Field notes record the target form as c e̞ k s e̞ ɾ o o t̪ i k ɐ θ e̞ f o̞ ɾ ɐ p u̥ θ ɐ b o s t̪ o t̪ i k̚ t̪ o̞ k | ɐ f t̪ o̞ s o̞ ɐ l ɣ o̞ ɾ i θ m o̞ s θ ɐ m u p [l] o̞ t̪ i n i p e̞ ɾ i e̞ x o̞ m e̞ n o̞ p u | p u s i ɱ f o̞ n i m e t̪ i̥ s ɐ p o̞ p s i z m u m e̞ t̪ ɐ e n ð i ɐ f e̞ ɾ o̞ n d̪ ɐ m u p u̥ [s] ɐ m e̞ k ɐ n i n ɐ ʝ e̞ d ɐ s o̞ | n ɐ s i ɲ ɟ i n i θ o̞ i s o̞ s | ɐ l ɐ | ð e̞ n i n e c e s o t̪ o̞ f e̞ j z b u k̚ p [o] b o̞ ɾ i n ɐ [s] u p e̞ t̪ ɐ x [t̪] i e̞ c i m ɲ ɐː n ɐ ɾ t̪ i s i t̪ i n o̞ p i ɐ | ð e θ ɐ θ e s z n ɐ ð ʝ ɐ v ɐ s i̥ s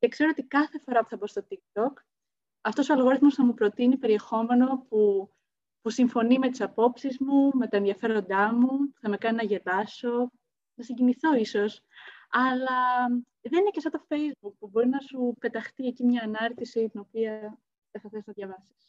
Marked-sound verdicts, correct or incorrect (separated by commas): incorrect, incorrect, incorrect, correct, correct